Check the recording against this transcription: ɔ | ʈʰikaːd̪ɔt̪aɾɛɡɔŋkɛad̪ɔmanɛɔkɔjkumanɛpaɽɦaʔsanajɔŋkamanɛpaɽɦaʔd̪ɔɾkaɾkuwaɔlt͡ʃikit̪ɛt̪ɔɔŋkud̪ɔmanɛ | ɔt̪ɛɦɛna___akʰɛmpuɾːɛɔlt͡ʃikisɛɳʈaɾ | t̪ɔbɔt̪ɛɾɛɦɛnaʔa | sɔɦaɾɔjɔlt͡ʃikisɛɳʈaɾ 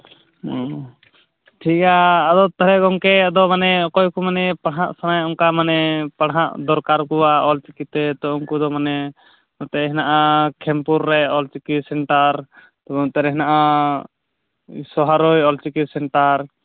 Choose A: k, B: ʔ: B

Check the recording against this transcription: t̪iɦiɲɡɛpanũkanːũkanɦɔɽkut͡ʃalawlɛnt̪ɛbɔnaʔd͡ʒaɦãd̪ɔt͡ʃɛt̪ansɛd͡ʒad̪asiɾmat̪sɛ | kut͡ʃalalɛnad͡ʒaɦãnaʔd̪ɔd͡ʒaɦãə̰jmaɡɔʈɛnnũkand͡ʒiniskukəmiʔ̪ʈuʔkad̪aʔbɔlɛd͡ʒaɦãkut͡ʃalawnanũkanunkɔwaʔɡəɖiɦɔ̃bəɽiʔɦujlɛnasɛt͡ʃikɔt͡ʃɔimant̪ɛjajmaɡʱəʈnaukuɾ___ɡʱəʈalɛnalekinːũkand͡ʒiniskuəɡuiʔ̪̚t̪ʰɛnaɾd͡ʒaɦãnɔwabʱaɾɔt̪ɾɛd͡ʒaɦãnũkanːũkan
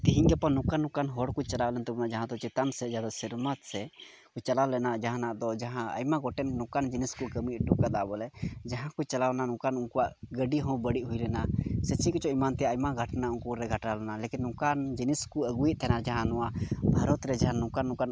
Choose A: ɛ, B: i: A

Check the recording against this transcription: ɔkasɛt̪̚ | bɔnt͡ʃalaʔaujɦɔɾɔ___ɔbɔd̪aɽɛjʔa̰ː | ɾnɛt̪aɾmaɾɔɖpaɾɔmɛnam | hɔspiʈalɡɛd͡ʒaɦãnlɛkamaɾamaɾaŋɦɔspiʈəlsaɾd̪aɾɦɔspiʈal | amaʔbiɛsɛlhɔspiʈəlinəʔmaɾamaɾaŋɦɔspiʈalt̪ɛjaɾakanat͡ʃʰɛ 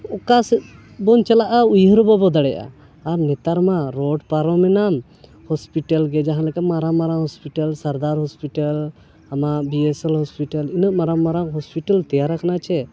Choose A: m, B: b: B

